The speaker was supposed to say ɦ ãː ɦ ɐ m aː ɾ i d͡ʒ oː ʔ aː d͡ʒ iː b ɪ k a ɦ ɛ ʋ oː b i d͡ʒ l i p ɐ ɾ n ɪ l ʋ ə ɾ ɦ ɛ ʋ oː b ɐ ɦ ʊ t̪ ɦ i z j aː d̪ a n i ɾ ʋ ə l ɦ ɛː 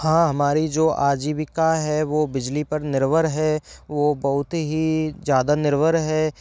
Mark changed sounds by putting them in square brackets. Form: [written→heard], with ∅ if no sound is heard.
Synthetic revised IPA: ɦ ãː ɦ ɐ m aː ɾ i d͡ʒ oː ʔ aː d͡ʒ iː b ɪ k a ɦ ɛ ʋ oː b [i→ɪ] d͡ʒ l i p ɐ ɾ n ɪ [l→ɾ] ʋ ə ɾ ɦ ɛ ʋ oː b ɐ ɦ ʊ t̪ ɦ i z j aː d̪ a n [i→ɪ] ɾ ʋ ə [l→ɾ] ɦ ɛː